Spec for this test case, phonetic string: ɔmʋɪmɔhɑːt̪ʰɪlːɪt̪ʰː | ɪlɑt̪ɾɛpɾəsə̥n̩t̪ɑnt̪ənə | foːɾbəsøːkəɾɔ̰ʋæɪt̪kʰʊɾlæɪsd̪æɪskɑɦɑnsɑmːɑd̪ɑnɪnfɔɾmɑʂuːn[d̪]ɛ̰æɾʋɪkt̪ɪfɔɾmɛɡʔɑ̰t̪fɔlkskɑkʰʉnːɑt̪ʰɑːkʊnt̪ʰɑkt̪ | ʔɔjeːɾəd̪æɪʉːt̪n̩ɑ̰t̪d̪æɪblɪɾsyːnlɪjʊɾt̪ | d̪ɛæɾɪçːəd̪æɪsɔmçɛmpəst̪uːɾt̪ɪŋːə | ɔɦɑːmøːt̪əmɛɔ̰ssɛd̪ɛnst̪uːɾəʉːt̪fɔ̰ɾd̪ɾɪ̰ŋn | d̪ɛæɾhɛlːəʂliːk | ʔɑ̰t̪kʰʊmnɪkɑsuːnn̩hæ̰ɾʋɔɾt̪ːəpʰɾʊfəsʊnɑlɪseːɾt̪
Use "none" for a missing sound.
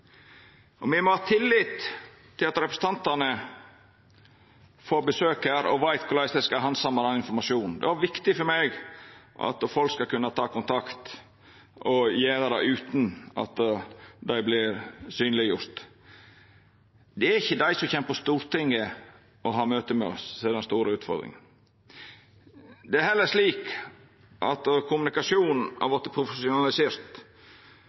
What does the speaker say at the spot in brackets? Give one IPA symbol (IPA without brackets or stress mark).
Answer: d̪